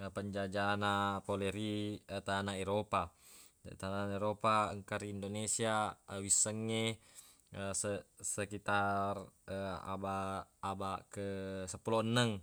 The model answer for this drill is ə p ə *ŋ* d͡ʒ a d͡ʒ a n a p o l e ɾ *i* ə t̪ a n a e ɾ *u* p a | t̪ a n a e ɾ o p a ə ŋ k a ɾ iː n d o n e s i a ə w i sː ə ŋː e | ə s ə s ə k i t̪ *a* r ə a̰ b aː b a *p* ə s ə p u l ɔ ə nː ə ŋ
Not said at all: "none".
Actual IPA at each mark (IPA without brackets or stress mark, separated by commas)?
ɲ, i, o, a, k